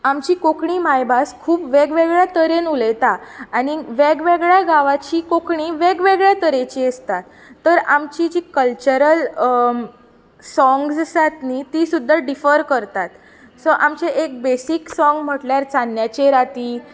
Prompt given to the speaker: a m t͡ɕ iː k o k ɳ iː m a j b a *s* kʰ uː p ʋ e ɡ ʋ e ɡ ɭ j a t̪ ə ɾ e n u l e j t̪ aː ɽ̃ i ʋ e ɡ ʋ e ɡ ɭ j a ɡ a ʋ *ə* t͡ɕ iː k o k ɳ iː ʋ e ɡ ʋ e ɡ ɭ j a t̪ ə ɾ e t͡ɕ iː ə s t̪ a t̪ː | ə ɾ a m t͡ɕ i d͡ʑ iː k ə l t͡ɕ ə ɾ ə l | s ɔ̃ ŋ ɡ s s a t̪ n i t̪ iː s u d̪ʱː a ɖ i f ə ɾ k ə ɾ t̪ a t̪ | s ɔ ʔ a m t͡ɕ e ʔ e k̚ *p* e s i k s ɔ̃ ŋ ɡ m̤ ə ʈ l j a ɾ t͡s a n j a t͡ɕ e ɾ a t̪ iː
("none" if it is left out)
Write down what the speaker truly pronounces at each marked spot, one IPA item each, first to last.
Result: s, a, b

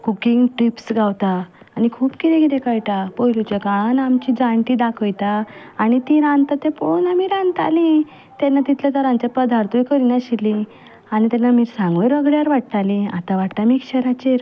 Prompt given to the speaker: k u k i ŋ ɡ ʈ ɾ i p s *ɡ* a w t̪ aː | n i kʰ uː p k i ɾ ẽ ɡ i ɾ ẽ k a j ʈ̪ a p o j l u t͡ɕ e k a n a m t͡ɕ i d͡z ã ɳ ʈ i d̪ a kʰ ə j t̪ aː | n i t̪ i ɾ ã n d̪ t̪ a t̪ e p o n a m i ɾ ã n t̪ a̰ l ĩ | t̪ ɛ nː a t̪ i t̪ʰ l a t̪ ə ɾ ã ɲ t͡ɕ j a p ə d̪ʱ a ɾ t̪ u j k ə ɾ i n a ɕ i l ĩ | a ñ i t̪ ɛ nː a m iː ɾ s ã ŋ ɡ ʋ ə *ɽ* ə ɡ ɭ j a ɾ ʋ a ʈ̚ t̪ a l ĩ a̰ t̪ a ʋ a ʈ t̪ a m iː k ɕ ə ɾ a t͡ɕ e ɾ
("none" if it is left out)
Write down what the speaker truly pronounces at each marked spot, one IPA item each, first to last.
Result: ɡ, ɾ

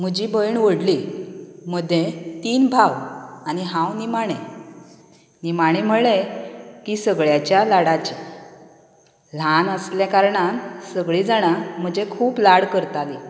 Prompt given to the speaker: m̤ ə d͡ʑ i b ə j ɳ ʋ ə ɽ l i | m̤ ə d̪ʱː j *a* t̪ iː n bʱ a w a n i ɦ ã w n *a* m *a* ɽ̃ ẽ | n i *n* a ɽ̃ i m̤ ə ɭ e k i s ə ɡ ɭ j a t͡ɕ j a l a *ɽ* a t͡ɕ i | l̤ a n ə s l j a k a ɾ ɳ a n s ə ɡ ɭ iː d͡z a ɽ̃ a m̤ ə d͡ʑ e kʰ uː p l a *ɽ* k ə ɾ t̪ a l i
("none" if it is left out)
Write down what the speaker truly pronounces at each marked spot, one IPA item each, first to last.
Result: e, i, a, m, ɽ, ɽ

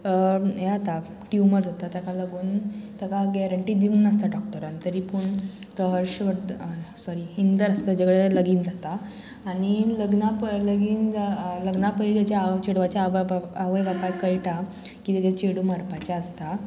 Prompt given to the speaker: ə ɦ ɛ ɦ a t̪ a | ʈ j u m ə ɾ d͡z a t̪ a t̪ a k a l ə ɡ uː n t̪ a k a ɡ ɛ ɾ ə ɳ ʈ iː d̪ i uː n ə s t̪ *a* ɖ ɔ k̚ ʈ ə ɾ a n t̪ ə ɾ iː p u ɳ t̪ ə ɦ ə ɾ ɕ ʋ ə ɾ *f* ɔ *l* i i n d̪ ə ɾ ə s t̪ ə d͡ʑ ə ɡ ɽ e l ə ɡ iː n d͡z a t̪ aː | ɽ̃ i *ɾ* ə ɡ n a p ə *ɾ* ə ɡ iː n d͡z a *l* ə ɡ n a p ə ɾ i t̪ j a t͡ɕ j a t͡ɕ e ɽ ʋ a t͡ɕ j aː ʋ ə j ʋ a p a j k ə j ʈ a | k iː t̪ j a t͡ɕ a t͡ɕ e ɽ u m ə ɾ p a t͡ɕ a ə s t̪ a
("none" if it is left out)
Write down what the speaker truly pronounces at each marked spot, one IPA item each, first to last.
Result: a, s, ɾ, l, l, l

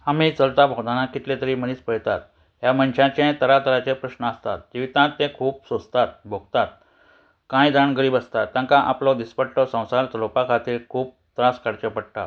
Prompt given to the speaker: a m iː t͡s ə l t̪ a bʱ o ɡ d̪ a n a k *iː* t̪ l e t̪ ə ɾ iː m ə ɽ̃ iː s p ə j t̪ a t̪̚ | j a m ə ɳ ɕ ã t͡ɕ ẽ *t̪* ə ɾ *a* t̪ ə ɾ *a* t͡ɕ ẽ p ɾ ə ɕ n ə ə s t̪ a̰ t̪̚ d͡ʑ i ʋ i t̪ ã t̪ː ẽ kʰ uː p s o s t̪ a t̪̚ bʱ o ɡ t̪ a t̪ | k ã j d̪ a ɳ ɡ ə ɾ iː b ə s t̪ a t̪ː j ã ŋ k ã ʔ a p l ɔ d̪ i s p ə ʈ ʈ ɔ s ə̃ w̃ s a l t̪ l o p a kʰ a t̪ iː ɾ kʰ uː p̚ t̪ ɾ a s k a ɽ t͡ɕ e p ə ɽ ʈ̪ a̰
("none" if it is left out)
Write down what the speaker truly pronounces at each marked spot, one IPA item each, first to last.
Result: i, t̪, a, a

